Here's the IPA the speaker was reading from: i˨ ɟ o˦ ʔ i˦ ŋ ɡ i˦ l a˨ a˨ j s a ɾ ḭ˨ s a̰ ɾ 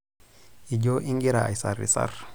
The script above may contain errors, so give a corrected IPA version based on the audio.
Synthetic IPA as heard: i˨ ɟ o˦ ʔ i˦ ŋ ɡ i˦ ɾ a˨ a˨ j s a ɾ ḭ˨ s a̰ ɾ